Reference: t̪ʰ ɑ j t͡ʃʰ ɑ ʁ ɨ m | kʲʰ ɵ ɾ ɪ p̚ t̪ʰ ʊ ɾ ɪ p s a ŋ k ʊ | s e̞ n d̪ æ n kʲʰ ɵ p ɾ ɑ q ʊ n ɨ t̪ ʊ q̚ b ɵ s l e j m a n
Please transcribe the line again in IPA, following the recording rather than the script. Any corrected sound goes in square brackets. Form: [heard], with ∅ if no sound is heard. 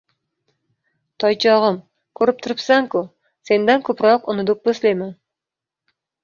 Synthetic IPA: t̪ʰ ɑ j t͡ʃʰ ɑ ʁ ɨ m | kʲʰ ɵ ɾ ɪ p̚ t̪ʰ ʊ ɾ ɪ p s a ŋ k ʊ | s e̞ n d̪ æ n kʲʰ ɵ p ɾ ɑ q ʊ n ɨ [d̪] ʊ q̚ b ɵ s l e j m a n